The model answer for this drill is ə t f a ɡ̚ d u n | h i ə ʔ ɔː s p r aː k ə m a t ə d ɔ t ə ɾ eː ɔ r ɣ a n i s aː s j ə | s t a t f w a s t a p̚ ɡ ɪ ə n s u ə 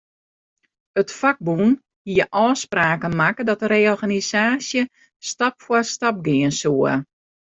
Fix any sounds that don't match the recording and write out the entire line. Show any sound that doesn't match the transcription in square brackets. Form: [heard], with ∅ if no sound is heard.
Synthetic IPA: ə t f a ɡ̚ [b] u n | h i ə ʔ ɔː s p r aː k ə m a [k] ə d ɔ t ə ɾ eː ɔ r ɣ a n i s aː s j ə | s t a [p] f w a s t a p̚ ɡ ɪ ə n s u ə